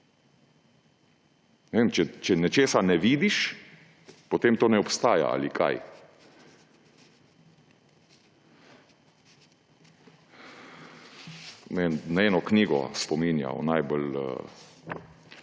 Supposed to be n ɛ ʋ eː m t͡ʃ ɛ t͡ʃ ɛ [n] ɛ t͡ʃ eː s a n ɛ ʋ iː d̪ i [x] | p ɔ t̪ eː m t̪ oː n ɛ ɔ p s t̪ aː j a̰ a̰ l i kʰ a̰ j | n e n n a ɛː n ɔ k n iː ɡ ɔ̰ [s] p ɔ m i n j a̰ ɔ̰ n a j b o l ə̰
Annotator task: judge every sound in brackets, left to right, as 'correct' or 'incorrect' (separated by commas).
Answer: correct, incorrect, correct